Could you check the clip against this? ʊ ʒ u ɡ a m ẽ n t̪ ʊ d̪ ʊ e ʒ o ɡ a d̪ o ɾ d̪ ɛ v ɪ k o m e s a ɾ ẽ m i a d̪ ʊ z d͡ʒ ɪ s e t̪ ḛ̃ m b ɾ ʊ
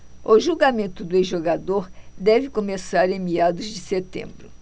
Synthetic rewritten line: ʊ ʒ u ɡ a m ẽ n t̪ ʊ d̪ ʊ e ʒ o ɡ a d̪ o ɾ d̪ ɛ v ɪ k o m e s a ɾ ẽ m i a d̪ ʊ z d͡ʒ ɪ s e t̪ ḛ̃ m b ɾ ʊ